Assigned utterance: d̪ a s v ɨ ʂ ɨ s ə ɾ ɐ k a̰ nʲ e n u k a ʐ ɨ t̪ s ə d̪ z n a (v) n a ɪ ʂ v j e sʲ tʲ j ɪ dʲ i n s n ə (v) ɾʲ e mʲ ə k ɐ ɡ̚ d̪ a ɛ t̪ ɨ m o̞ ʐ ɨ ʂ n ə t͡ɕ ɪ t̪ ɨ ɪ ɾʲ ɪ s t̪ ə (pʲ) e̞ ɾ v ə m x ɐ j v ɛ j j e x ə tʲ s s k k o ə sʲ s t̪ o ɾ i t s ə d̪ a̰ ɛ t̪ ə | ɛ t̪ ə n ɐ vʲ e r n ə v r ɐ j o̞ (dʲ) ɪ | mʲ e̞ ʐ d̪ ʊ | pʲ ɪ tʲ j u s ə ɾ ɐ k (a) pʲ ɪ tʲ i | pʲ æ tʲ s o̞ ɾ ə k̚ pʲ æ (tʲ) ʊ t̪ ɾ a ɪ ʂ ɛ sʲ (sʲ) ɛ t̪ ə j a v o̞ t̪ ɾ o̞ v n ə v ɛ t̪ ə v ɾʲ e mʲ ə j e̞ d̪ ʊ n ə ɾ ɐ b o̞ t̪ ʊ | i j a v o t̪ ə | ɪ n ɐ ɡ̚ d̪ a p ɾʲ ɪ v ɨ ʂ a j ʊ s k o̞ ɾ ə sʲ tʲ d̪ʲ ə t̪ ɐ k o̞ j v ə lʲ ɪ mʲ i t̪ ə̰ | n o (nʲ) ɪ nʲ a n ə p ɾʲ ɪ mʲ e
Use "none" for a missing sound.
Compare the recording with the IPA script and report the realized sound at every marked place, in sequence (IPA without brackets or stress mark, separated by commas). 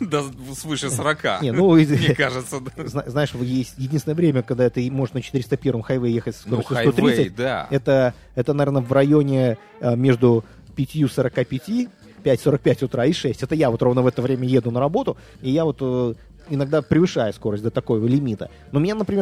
z, v, pʲ, nʲ, a, tʲ, tʲ, mʲ